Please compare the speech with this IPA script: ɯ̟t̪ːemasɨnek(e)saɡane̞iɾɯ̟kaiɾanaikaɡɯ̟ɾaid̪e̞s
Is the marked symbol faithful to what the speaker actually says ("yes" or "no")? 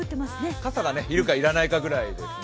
no